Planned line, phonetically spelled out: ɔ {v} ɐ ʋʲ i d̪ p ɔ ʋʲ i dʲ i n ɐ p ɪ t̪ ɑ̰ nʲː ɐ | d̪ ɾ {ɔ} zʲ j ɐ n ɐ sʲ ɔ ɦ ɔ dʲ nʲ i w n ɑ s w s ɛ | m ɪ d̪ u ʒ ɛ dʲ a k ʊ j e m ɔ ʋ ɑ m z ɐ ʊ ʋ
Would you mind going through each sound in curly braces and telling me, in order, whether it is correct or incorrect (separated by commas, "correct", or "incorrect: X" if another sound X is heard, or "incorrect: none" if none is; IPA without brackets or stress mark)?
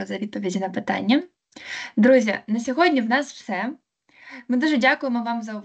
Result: incorrect: z, incorrect: u